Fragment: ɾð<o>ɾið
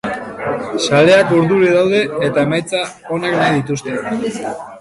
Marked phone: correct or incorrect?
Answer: incorrect